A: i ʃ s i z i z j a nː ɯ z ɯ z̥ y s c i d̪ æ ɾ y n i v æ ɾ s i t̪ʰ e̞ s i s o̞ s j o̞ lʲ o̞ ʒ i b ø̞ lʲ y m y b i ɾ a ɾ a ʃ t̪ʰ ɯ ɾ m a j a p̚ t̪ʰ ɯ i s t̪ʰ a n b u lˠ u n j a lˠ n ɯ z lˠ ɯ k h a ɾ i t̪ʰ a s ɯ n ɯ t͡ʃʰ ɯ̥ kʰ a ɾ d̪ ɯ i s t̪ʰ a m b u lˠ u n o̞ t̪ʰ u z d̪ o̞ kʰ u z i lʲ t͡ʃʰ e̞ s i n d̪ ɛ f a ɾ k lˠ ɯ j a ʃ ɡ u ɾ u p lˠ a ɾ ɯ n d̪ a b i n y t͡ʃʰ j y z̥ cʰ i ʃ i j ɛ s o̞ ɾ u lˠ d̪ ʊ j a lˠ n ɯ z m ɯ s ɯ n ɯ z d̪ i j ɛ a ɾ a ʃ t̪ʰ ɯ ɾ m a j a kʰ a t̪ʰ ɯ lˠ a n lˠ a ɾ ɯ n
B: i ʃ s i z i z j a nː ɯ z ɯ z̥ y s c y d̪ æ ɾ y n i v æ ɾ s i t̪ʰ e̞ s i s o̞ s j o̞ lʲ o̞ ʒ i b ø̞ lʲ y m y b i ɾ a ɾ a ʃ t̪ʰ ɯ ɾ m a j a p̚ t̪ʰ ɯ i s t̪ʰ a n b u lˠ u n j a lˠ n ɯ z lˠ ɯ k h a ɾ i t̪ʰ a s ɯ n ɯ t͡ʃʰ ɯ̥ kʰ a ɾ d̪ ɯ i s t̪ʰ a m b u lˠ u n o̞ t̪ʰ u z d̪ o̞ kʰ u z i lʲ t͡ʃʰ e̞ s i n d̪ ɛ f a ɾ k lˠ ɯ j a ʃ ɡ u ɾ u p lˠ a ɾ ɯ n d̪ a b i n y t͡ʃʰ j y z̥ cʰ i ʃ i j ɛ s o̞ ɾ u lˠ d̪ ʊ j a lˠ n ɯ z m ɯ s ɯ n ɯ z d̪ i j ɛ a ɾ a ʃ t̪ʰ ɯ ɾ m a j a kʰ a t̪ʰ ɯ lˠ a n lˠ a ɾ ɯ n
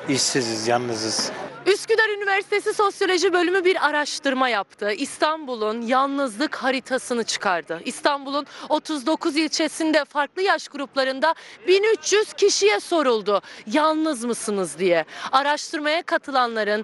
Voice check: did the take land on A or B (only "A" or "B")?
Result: B